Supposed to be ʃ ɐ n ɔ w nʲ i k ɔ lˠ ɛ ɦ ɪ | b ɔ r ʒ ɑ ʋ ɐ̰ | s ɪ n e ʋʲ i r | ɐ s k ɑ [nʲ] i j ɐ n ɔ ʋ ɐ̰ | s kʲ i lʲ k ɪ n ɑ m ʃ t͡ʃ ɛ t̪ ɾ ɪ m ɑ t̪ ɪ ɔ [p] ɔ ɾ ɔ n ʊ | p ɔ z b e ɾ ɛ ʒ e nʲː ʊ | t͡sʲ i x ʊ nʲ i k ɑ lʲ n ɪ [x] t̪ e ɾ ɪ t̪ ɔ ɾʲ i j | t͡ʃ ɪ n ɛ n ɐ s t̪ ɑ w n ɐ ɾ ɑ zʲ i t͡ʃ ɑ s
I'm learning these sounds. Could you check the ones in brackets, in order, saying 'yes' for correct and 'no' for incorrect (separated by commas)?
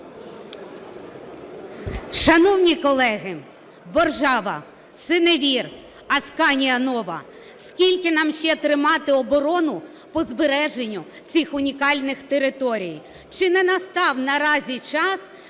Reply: yes, no, yes